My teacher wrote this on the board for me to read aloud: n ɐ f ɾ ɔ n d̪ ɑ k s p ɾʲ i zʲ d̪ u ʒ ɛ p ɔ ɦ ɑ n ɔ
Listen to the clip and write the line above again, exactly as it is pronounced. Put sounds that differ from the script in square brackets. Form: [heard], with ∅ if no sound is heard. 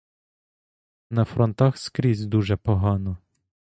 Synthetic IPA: n ɐ f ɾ ɔ n [t̪] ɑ [x] s [k] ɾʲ i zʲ d̪ u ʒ ɛ p ɔ ɦ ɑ n ɔ